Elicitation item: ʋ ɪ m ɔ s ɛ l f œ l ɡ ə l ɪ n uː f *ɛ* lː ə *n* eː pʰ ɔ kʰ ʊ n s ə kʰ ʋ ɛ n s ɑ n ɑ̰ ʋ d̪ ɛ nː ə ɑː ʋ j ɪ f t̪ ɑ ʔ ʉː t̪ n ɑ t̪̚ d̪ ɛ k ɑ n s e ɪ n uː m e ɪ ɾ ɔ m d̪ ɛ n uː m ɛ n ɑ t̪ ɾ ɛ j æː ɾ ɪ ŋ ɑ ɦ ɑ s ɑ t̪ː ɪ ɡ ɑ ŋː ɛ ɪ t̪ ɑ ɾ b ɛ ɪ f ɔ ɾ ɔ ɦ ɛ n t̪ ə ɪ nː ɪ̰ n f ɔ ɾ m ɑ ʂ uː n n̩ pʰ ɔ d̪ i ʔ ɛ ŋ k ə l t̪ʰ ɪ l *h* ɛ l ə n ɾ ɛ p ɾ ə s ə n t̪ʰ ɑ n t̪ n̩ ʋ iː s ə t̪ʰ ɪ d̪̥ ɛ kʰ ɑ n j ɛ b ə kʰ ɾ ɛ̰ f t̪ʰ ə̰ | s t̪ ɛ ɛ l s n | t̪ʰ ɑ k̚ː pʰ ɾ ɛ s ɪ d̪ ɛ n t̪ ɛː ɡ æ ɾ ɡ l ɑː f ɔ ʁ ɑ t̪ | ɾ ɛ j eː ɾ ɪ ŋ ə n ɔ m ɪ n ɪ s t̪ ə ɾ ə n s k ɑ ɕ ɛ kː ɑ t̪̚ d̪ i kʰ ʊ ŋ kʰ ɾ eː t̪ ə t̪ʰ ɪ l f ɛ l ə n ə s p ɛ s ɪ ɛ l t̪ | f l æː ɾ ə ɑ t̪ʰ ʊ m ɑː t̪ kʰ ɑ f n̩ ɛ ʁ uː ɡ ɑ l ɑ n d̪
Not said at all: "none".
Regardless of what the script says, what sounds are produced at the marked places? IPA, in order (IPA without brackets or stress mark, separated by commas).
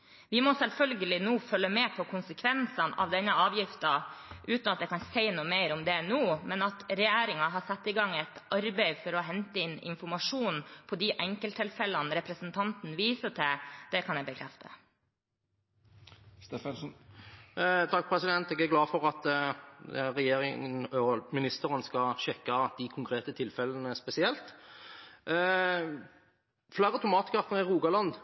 œ, m, f